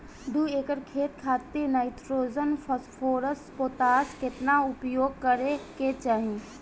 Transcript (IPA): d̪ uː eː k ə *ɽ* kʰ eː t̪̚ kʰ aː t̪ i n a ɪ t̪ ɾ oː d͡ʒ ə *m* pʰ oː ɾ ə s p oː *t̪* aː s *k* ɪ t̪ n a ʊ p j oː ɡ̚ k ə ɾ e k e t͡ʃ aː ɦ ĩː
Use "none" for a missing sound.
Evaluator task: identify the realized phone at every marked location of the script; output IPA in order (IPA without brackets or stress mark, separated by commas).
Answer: ɾ, n, t̪, k